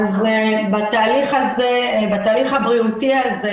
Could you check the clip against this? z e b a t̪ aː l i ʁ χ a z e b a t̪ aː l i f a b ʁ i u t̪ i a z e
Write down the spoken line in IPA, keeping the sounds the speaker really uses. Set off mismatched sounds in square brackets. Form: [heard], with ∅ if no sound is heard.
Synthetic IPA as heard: z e b a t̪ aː l i [∅] χ a z e b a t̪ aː l i [χ] a b ʁ i u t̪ i a z e